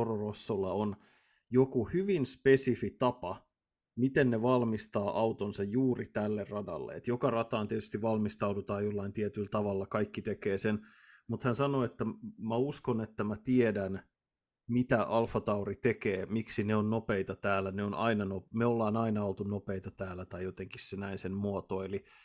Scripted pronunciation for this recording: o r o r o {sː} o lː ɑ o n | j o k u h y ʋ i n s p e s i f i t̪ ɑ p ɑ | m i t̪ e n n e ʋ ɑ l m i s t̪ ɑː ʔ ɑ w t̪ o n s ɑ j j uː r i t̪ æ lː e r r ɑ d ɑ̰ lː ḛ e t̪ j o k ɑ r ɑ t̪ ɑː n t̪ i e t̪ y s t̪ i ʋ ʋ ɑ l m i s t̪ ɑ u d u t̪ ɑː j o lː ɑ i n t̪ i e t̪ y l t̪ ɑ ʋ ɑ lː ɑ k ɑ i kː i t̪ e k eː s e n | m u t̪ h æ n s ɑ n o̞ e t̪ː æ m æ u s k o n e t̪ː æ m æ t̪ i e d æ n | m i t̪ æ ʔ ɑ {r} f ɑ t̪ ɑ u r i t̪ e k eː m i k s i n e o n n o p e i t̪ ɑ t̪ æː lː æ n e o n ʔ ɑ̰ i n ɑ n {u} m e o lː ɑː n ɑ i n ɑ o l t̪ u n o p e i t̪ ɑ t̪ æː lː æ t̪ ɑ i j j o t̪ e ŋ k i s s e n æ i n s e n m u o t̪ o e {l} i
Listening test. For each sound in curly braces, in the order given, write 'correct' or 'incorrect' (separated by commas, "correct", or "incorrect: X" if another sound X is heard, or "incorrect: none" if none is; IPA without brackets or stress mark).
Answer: correct, incorrect: l, incorrect: o, correct